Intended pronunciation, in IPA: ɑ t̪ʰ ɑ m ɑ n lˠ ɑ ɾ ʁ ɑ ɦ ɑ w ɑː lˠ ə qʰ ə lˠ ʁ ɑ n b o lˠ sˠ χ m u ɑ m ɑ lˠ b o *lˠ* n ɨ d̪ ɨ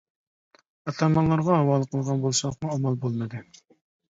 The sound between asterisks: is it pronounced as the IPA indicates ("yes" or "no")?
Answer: yes